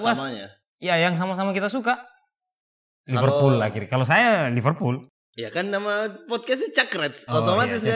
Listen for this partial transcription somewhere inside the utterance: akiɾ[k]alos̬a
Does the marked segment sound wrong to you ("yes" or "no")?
no